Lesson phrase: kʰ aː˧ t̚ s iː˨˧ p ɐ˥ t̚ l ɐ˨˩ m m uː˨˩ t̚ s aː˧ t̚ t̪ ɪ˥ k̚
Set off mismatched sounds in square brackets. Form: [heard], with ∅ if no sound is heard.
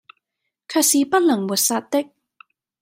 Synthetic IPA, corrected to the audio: kʰ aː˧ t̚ s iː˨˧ p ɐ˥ t̚ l ɐ˨˩ [ŋ] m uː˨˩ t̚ s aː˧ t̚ t̪ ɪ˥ k̚